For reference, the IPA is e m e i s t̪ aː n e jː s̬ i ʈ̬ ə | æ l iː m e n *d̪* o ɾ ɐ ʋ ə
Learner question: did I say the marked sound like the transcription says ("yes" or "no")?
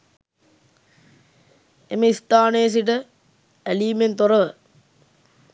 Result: no